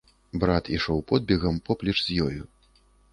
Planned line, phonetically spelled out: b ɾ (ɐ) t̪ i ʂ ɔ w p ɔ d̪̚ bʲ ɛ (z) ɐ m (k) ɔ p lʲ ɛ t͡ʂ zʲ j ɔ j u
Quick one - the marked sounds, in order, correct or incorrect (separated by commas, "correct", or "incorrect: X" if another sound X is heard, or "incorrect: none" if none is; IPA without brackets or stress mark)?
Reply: incorrect: a, incorrect: ɣ, incorrect: p